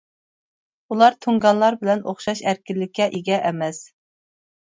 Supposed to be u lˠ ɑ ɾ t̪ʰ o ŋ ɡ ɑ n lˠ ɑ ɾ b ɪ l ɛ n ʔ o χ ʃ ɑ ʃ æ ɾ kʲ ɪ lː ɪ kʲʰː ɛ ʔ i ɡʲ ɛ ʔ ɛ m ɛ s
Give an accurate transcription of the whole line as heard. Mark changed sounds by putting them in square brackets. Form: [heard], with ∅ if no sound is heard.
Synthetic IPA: u lˠ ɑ ɾ t̪ʰ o ŋ ɡ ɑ n lˠ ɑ ɾ b ɪ l ɛ n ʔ o χ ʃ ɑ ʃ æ ɾ kʲ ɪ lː ɪ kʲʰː ɛ ʔ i ɡʲ ɛ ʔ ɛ m ɛ s